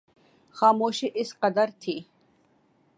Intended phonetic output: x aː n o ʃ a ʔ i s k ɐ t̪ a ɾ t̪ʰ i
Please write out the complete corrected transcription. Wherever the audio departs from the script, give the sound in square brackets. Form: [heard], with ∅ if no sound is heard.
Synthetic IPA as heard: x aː [m] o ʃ [i] ʔ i s [q] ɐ [d̪] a ɾ t̪ʰ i